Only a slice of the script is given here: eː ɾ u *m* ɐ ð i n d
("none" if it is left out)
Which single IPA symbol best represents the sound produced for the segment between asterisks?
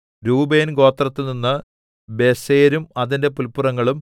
m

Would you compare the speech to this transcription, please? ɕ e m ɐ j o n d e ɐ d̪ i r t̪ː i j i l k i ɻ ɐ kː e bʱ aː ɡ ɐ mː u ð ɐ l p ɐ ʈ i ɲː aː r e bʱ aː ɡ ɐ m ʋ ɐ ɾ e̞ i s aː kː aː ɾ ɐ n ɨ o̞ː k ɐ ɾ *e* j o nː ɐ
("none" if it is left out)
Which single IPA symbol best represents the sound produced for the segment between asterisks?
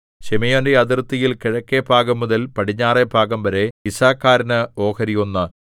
i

